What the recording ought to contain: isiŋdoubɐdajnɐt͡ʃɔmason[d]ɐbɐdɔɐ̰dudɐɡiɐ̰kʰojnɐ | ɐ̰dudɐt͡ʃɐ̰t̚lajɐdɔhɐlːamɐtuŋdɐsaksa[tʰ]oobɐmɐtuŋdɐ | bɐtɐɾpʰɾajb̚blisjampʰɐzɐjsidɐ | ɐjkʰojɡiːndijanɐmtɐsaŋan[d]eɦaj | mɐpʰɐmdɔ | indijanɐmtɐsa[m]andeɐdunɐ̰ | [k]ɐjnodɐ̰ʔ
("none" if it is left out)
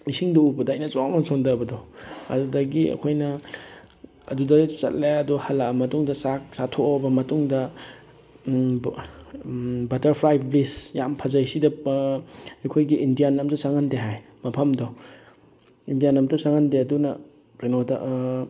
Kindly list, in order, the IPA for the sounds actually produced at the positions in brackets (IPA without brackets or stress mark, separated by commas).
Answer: d, tʰ, d, ŋ, k